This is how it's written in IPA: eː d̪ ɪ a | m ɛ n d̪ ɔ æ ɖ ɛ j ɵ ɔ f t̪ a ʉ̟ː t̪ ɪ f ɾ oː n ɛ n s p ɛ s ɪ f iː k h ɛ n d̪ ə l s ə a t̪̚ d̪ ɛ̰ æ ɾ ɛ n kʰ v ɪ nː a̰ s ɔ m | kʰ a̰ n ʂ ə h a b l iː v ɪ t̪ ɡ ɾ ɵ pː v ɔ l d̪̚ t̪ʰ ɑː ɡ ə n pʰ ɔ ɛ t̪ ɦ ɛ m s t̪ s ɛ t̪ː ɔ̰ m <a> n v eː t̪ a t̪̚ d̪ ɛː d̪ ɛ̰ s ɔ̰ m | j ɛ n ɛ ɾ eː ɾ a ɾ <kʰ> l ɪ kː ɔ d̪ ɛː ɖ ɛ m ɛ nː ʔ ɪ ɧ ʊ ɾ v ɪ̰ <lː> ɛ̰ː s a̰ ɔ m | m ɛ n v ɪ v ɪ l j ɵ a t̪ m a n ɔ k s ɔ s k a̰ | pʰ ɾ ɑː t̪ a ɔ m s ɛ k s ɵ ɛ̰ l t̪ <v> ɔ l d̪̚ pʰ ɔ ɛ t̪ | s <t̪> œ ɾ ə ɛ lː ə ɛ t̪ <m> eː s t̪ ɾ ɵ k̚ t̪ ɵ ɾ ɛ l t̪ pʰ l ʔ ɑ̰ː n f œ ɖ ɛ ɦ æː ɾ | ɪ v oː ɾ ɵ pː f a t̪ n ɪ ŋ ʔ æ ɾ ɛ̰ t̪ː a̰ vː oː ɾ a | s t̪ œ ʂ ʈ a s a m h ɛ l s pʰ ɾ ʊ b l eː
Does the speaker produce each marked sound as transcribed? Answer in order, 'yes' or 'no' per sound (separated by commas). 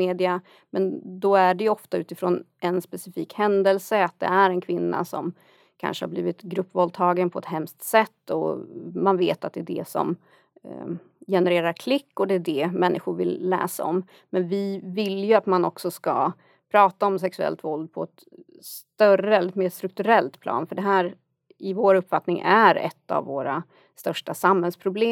yes, yes, yes, yes, yes, yes